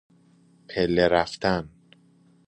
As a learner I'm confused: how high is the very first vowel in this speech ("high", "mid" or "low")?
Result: mid